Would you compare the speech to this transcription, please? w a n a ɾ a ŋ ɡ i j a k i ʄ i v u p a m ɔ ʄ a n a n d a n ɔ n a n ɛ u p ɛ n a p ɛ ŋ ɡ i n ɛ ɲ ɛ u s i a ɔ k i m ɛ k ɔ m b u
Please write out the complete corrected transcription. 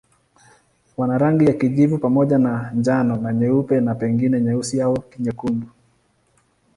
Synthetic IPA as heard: w a n a ɾ a ŋ ɡ i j a k i ʄ i v u p a m ɔ ʄ a n a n d͡ʒ a n ɔ n a ɲ ɛ u p ɛ n a p ɛ ŋ ɡ i n ɛ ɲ ɛ u s i a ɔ k i ɲ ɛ k u m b u